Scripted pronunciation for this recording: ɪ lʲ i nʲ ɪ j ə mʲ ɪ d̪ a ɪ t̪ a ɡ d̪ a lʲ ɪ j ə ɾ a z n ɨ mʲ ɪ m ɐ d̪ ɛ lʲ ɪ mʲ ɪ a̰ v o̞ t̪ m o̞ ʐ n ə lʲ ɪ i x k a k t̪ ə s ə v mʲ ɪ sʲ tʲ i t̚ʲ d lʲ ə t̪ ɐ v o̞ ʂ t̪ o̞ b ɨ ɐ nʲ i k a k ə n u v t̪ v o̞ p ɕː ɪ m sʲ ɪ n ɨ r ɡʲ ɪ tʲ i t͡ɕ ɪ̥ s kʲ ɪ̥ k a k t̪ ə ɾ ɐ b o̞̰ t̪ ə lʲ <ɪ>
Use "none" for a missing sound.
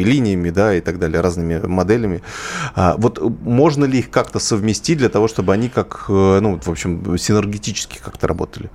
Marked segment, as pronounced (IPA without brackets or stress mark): ɪ